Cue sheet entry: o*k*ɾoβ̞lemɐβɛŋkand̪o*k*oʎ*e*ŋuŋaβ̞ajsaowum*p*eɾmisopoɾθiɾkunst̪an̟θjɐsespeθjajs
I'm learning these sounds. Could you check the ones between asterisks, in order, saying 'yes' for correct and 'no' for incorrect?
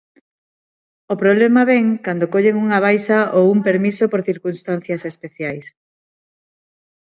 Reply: no, yes, yes, yes

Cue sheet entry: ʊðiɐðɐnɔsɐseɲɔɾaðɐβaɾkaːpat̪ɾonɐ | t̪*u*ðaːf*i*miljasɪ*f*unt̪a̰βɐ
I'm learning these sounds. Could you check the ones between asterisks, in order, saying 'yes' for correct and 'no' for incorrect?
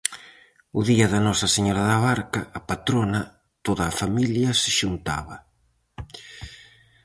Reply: no, no, no

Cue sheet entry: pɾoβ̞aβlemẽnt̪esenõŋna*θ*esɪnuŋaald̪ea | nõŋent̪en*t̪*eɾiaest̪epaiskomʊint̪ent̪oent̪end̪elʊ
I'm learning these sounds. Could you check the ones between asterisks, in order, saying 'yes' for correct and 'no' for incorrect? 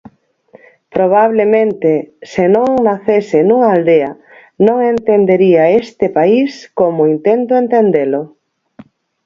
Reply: yes, no

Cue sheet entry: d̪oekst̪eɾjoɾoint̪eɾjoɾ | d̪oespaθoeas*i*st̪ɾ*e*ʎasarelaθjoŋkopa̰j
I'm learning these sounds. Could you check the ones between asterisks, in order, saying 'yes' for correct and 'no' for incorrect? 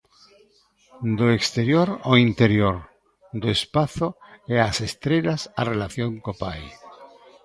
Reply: no, yes

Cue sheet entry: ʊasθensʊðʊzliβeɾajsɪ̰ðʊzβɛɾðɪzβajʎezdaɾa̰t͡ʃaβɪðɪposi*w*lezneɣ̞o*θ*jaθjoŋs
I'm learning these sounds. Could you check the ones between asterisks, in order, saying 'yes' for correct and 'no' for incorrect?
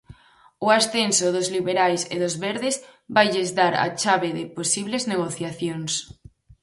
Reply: no, yes

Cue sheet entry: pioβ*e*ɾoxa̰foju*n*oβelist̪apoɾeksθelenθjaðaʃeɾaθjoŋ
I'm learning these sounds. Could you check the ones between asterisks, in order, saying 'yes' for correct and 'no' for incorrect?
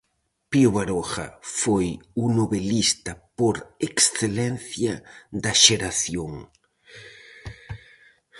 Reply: no, yes

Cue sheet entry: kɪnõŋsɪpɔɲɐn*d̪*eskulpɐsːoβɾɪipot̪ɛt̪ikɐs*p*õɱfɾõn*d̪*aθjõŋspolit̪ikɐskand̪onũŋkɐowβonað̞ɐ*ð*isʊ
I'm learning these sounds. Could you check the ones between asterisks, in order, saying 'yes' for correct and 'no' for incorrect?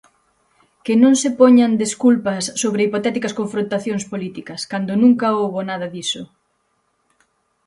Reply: yes, no, no, yes

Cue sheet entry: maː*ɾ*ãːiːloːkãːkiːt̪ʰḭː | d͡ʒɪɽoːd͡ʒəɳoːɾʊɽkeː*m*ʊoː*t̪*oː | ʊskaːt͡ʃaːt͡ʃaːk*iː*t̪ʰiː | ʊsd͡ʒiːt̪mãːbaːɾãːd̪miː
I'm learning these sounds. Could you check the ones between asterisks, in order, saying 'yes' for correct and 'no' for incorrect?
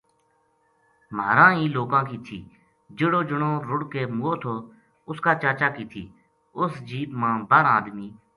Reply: yes, yes, no, yes

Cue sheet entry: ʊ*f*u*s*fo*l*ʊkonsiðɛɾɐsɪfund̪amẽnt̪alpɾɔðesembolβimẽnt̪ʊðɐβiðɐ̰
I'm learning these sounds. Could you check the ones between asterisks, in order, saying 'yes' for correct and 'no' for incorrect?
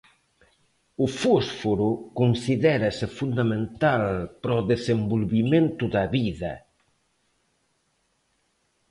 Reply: yes, yes, no

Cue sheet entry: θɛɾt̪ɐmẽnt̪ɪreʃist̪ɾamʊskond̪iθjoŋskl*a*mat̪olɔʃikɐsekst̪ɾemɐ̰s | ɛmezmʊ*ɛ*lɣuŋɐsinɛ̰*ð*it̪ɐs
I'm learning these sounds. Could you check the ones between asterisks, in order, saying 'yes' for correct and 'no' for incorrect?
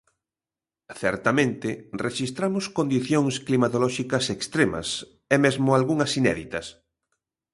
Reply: no, no, yes

